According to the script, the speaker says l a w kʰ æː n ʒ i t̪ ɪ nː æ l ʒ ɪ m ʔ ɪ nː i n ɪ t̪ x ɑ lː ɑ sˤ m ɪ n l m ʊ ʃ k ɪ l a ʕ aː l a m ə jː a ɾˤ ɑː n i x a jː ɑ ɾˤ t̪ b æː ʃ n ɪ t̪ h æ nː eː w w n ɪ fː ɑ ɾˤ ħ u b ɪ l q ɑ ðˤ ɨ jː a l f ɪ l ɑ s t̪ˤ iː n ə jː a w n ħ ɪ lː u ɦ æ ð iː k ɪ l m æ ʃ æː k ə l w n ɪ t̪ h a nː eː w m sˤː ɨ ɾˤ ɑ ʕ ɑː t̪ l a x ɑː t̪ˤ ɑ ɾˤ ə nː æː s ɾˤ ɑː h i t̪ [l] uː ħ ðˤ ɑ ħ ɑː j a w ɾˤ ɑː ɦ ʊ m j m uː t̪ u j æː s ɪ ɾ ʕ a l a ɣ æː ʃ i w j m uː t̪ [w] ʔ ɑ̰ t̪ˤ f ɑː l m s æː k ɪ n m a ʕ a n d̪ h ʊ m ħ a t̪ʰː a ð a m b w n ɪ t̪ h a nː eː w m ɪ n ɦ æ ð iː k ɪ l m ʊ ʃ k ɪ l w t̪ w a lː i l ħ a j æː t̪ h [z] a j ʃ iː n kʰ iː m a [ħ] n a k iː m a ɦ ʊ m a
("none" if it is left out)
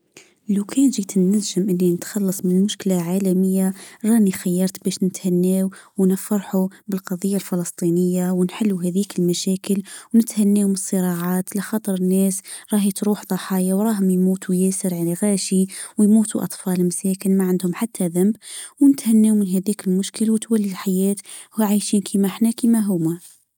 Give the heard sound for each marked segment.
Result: ɾ, u, ʕ, ħ

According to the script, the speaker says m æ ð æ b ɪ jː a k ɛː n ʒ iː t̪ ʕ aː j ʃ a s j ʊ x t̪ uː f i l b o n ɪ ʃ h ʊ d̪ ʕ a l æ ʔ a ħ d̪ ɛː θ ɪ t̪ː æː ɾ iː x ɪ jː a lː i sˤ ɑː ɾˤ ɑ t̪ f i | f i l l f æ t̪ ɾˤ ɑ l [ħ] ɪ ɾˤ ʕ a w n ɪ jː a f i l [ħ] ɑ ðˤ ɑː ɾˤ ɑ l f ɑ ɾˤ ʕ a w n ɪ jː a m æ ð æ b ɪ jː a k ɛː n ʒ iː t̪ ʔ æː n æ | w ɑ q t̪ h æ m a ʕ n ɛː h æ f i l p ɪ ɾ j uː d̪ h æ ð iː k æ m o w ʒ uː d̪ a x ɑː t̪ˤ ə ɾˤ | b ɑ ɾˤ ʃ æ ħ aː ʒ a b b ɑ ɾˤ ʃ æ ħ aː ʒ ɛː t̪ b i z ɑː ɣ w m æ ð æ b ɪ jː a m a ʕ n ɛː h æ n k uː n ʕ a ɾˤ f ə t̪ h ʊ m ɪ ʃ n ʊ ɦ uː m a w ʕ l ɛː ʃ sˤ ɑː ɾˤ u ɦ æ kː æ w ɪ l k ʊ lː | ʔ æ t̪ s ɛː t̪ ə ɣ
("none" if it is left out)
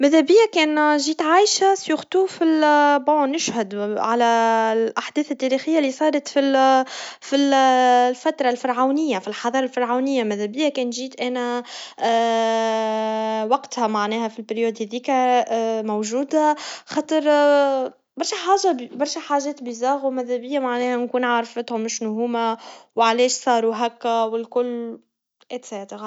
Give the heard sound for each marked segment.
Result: f, ħ

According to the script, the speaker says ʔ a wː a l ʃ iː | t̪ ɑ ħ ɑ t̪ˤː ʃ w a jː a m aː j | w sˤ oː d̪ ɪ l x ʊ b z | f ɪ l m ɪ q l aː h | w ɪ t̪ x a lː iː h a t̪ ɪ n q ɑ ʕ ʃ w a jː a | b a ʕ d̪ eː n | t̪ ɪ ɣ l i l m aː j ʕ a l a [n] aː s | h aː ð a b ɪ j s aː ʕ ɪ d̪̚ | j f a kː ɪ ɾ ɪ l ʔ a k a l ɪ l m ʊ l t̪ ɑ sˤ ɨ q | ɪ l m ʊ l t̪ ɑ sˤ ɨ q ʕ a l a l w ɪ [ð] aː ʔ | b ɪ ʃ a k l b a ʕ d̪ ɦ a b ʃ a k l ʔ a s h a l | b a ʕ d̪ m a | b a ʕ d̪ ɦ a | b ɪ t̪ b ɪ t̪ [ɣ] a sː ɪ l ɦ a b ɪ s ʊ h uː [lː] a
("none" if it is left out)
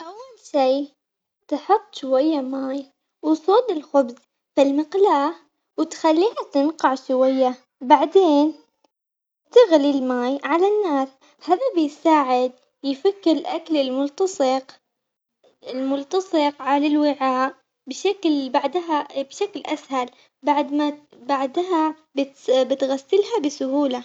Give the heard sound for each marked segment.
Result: nː, ʕ, ɣ, l

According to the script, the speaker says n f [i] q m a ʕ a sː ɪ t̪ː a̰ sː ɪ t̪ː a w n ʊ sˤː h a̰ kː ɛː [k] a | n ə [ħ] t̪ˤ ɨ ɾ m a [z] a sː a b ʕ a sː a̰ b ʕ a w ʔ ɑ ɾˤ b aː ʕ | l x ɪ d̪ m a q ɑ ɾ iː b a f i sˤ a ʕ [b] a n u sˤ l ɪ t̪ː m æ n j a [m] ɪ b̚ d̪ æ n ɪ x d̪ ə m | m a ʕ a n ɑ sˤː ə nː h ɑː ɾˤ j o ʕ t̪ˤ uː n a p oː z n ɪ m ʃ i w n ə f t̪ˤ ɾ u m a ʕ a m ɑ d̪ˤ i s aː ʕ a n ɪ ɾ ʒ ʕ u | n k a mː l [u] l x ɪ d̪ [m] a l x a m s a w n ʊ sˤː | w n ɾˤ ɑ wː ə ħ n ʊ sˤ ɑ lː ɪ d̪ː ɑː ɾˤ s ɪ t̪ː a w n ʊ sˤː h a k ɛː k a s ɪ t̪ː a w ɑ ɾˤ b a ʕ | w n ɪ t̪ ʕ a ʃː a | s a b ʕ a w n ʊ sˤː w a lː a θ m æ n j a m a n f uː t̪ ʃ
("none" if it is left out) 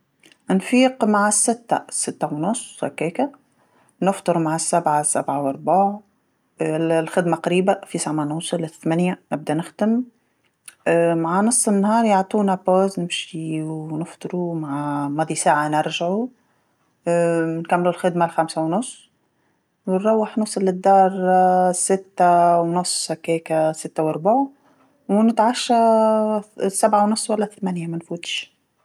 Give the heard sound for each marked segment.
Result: iː, k, f, ʕ, m, n, u, m

